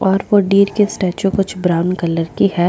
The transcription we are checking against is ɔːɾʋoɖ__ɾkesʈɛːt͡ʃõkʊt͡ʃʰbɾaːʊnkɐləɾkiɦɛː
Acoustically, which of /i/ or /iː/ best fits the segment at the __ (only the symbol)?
iː